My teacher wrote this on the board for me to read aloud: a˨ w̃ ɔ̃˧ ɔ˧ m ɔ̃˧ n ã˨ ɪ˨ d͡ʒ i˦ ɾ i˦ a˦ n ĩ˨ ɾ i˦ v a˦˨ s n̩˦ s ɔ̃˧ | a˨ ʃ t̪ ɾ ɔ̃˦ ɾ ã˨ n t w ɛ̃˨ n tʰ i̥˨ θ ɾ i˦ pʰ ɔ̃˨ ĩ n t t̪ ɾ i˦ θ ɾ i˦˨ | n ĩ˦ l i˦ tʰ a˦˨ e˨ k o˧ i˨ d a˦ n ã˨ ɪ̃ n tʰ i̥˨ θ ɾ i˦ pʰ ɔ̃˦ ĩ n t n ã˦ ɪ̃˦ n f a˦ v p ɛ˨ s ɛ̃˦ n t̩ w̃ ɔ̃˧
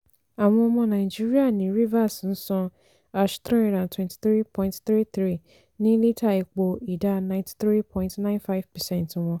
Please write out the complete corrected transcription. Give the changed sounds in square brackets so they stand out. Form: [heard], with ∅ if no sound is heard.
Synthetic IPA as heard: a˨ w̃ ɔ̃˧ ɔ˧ m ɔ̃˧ n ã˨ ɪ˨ d͡ʒ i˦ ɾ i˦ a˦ n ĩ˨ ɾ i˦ v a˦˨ s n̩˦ s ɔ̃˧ | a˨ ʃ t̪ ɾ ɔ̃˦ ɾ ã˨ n t w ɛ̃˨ n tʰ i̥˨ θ ɾ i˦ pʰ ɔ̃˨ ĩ n t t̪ ɾ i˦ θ ɾ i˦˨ | n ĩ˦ l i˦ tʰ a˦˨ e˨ [k͡p] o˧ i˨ d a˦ n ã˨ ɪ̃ n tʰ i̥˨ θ ɾ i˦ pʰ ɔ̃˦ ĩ n t n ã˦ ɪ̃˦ n f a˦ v p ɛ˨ s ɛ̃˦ n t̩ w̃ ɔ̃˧